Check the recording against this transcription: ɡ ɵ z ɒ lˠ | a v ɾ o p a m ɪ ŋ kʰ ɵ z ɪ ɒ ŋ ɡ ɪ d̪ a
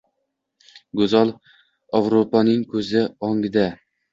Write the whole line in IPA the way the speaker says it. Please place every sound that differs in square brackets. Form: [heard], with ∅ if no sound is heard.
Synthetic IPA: ɡ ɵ z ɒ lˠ | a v ɾ o p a [n] ɪ ŋ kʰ ɵ z ɪ ɒ ŋ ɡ ɪ d̪ a